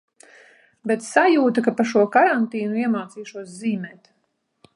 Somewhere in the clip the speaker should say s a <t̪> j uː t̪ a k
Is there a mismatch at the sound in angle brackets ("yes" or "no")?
yes